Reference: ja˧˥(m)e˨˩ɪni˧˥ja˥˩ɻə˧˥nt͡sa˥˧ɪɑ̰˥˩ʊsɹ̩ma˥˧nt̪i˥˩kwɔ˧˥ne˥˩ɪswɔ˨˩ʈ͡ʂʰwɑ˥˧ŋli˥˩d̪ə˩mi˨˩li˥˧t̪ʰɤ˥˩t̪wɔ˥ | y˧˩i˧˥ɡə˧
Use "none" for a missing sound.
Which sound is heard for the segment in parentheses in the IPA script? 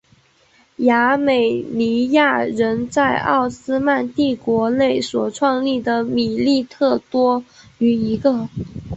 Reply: m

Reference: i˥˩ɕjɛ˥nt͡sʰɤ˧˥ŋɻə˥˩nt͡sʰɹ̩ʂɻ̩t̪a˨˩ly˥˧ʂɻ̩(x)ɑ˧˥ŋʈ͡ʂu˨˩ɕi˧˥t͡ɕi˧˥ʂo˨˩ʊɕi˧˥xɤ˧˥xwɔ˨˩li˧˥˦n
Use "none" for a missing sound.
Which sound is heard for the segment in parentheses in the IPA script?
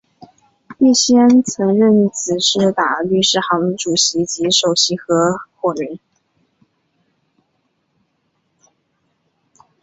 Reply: x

